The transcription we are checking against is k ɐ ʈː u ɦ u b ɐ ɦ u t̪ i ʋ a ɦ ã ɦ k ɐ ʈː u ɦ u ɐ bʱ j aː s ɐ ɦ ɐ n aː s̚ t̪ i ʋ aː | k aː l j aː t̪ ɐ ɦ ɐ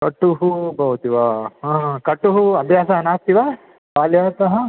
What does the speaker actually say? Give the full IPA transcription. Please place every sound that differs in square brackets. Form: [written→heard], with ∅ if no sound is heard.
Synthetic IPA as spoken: k ɐ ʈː u ɦ u b ɐ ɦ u t̪ i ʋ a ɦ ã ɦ k ɐ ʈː u ɦ u ɐ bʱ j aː s ɐ ɦ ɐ n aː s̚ t̪ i ʋ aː | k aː l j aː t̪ ɐ ɦ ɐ